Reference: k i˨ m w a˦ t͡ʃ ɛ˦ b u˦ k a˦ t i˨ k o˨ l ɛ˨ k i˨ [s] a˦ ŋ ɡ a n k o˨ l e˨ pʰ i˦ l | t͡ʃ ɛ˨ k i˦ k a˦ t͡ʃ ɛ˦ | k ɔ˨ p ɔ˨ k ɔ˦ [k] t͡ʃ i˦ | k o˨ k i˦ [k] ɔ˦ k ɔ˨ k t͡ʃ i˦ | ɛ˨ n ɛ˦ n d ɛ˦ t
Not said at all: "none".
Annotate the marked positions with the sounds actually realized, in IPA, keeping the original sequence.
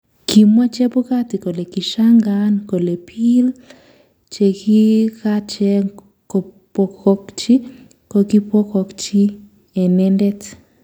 ʃ, k, p

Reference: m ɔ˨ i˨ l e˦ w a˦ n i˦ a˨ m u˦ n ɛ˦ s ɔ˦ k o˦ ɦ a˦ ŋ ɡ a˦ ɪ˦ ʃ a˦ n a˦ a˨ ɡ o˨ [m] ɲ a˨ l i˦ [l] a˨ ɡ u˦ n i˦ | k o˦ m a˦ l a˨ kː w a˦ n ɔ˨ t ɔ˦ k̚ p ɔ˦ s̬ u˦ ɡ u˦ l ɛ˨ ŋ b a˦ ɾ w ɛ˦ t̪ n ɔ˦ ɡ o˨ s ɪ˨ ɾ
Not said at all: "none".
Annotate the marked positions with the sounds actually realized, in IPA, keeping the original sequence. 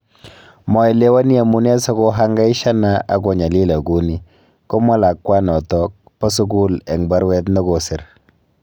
none, l

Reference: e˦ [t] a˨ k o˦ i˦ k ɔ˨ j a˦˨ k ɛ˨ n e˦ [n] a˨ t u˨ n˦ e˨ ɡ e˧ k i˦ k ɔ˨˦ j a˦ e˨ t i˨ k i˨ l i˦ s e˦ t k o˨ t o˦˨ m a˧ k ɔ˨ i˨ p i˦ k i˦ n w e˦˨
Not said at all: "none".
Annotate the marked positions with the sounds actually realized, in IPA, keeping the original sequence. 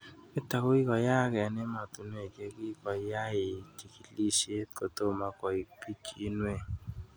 t, m

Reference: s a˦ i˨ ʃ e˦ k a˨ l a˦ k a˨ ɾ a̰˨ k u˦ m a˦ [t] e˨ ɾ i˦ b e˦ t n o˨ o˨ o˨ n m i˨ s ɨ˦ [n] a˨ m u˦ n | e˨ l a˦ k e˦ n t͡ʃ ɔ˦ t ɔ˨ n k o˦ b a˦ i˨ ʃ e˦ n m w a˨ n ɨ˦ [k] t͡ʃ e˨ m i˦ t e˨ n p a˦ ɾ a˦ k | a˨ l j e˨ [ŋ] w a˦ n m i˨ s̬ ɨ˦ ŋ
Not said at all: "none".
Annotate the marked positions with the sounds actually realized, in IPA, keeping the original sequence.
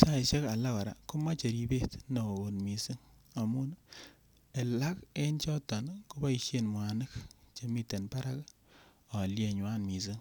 t͡ʃ, ŋ, k, ɲ

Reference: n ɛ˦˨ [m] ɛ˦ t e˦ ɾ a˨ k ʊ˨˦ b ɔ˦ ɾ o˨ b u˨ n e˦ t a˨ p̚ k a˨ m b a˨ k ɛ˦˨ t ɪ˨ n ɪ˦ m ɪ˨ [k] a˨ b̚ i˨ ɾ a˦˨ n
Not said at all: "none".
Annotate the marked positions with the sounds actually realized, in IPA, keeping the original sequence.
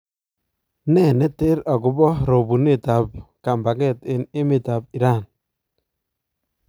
n, t

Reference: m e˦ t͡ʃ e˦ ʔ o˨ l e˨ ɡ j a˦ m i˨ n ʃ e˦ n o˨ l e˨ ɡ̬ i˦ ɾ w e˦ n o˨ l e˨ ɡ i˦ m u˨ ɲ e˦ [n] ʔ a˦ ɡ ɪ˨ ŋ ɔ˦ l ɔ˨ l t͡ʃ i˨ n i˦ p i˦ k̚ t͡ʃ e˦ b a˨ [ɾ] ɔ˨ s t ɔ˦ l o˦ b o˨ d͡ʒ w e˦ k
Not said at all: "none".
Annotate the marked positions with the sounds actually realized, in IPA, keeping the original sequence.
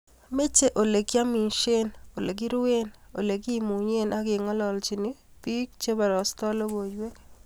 n, ɾ

